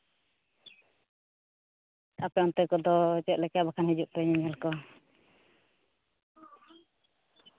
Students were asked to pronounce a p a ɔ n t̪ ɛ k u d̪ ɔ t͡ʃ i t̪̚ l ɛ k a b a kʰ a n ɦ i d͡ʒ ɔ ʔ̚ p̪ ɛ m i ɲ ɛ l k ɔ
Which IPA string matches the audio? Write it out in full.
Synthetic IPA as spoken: a p ɛ ɔ n t̪ ɛ k ɔ d̪ ɔ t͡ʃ ɛ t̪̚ l ɛ k a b a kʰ a n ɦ i d͡ʒ u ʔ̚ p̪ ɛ ɲ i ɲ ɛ l k ɔ